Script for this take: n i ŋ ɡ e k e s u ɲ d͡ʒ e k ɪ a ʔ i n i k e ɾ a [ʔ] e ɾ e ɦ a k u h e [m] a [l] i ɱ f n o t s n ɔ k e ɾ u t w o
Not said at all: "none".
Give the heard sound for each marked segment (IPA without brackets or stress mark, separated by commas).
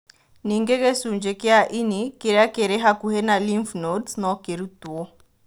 k, n, l